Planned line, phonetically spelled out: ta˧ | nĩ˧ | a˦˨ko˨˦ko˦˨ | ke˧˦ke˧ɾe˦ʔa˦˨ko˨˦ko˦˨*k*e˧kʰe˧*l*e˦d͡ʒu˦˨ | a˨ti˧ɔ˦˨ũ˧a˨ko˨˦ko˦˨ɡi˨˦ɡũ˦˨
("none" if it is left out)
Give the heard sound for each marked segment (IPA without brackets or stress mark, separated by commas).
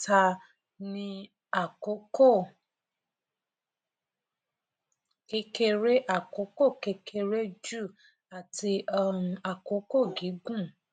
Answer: k, ɾ